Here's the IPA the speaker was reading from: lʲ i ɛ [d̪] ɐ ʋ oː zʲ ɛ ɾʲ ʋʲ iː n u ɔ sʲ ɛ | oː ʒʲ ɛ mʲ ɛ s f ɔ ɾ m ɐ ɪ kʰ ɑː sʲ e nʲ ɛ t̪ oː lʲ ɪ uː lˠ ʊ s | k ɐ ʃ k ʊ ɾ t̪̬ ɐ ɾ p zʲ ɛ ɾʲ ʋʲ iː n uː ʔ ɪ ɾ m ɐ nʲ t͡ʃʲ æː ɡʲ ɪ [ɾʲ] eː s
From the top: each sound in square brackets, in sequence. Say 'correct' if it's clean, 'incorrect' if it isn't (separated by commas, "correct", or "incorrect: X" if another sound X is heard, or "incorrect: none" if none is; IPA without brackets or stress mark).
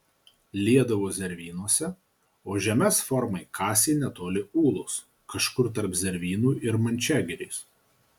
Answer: correct, correct